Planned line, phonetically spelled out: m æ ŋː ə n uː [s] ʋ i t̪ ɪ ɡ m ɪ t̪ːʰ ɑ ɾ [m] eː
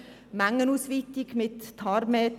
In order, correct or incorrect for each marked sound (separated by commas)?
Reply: correct, correct